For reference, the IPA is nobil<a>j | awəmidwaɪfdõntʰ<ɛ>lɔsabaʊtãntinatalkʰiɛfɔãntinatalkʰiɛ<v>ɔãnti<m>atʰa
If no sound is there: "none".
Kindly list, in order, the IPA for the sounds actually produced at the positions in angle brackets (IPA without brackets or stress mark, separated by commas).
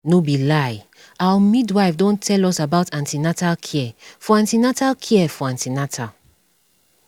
a, ɛ, f, n